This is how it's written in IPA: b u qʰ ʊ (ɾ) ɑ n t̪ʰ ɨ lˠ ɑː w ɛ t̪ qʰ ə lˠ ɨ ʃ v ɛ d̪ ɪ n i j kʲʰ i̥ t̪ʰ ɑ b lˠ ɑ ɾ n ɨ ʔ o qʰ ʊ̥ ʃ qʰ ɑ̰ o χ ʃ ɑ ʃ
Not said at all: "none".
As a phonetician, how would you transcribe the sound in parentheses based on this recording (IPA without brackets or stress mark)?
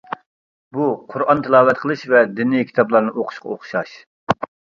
ɾ